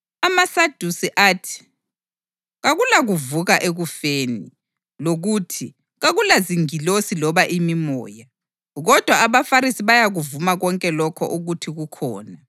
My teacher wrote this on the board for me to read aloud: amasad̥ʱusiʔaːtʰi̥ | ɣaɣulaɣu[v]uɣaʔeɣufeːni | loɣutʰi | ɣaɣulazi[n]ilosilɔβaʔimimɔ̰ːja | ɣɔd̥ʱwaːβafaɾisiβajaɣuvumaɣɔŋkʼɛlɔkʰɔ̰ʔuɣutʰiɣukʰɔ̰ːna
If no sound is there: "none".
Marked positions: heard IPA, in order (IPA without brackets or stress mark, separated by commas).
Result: v, ŋ